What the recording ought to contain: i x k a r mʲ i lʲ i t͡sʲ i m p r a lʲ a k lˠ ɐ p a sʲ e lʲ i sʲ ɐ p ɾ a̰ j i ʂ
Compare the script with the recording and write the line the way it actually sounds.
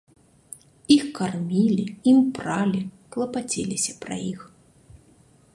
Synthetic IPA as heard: i x k a r mʲ i lʲ i i m p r a lʲ i k lˠ ɐ p a t͡sʲ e lʲ i sʲ ɐ p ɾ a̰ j i x